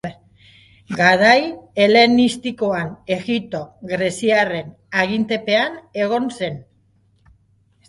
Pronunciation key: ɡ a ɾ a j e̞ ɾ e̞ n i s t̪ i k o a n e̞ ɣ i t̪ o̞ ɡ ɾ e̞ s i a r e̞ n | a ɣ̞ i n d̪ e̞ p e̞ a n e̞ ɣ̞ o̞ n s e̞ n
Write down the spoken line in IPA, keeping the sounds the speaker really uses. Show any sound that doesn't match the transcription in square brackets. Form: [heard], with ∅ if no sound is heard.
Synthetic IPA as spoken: ɡ a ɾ a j e̞ [l] e̞ n i s t̪ i k o a n e̞ ɣ i t̪ o̞ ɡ ɾ e̞ s i a r e̞ n | a ɣ̞ i n [t̪] e̞ p e̞ a n e̞ ɣ̞ o̞ n s e̞ n